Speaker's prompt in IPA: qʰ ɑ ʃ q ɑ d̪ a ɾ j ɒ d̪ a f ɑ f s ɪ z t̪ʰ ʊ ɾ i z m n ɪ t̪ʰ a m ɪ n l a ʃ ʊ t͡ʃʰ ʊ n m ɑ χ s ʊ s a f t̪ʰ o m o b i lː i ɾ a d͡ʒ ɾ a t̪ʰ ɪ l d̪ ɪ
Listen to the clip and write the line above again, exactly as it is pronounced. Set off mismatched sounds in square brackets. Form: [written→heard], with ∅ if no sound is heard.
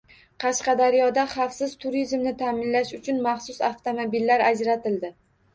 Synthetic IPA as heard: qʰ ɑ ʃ q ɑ d̪ a ɾ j ɒ d̪ a [f→χ] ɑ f s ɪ z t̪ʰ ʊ ɾ i z m n ɪ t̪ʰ a m ɪ n l a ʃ ʊ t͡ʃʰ ʊ n m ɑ χ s ʊ s a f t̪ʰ o m o b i lː [i→a] ɾ a d͡ʒ ɾ a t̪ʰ ɪ l d̪ ɪ